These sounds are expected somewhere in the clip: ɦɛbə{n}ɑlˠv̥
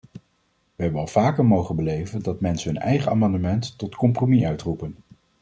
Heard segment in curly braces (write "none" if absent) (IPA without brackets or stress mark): n